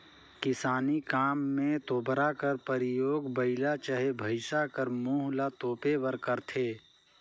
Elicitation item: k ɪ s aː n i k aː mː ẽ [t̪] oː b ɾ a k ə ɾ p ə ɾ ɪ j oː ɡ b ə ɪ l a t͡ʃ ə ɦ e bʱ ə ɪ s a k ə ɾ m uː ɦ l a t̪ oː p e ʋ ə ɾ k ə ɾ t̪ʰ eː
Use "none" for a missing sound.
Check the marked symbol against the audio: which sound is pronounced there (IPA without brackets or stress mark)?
t̪